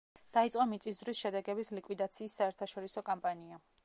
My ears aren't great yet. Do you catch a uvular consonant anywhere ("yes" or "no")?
no